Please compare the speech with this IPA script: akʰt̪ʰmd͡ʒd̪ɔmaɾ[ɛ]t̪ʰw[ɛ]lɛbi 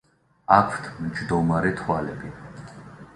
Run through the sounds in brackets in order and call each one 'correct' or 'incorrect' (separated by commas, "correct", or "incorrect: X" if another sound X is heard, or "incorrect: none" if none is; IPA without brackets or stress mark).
correct, incorrect: a